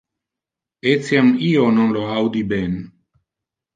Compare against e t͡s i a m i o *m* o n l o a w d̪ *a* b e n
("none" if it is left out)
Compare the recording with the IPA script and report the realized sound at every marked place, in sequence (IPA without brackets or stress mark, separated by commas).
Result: n, i